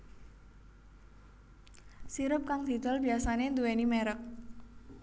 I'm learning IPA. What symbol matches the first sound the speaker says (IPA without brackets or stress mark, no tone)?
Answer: s